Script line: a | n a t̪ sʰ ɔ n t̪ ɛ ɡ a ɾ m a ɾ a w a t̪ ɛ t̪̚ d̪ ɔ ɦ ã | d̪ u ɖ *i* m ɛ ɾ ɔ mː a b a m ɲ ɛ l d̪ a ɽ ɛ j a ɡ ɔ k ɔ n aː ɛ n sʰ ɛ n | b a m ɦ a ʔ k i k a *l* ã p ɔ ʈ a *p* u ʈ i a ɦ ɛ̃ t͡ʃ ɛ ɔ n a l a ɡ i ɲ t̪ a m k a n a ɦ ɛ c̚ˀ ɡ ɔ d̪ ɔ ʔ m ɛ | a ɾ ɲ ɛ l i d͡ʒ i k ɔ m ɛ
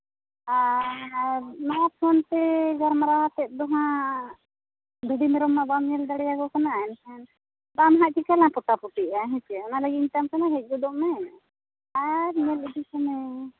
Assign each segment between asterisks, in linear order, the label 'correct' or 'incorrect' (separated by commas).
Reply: correct, correct, correct